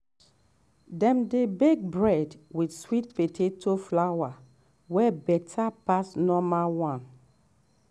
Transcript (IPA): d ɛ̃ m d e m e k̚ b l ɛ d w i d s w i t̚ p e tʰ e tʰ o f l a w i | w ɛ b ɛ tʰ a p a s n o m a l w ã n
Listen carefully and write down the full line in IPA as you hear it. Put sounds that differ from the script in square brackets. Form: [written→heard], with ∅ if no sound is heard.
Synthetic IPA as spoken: d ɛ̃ m d e [m→b] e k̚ b [l→ɹ] ɛ d w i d s w i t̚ p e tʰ e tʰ o f l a w [i→a] | w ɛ b ɛ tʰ a p a s n [o→ɔ] m a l w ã n